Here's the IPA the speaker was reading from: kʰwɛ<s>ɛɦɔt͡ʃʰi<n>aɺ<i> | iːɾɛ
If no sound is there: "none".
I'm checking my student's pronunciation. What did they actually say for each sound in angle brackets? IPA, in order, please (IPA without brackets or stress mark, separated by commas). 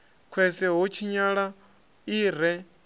s, ɲ, a